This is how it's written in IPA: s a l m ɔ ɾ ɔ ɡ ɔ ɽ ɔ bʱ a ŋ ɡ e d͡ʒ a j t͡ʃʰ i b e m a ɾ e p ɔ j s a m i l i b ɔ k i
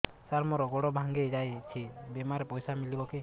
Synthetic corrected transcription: s a ɾ m ɔ ɾ ɔ ɡ ɔ ɽ ɔ bʱ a ŋ ɡ e d͡ʒ a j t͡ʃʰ i b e m a ɾ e p ɔ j s a m i l i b ɔ k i